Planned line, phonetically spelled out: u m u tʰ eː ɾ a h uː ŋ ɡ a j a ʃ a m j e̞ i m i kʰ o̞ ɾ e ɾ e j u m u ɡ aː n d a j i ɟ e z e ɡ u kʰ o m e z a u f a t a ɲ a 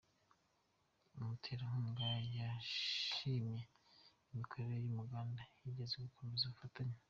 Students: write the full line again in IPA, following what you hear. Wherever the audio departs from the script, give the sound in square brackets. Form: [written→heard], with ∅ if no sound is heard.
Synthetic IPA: u m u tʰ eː ɾ a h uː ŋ ɡ a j a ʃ [a→i] m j e̞ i m i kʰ o̞ ɾ e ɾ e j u m u ɡ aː n d a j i ɟ e z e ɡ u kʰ o m e z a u f a t a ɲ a